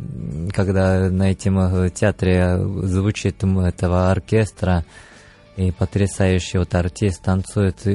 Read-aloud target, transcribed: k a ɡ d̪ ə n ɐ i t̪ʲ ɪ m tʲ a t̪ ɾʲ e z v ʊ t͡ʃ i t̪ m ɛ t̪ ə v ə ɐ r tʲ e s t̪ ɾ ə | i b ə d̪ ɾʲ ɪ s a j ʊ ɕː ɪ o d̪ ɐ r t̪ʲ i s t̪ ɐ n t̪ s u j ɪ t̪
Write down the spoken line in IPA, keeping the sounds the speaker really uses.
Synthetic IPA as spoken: k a ɡ d̪ a n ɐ ɛ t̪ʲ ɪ m tʲ a t̪ ɾʲ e z v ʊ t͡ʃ i t̪ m ɛ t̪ ə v ə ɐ r kʲ e s t̪ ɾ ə | i p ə t̪ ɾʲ ɪ s a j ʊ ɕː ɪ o t̪ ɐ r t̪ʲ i s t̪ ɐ n t̪ s u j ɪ t̪